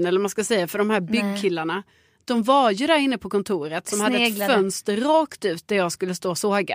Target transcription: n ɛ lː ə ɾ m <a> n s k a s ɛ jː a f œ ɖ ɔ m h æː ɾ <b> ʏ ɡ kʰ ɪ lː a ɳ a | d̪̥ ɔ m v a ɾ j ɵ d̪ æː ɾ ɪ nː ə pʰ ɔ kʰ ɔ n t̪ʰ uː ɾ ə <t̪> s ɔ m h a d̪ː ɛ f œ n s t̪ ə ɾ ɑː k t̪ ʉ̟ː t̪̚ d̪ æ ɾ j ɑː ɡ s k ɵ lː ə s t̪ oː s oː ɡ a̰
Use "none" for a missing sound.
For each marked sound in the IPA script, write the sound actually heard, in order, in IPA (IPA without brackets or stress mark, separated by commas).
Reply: a, b, t̪